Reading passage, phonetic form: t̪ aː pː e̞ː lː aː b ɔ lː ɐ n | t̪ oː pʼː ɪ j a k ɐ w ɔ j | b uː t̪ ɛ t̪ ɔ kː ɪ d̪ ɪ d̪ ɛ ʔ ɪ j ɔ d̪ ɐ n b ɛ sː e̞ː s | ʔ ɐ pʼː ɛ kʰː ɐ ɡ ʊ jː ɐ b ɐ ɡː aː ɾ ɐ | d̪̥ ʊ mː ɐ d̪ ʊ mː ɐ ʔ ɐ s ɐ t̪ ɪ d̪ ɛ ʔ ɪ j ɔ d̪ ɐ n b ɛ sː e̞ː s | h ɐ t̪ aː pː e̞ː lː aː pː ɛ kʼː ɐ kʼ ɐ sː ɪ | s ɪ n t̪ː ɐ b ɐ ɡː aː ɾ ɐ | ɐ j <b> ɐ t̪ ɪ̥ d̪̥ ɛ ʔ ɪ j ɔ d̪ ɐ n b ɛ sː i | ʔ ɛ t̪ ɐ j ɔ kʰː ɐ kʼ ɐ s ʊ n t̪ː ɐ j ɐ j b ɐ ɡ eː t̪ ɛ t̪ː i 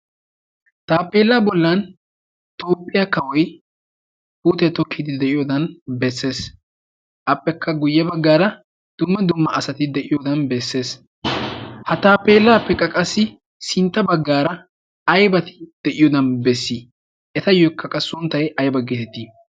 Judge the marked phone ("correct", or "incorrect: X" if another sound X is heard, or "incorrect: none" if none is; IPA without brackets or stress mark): correct